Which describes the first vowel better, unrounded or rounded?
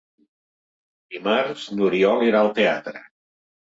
unrounded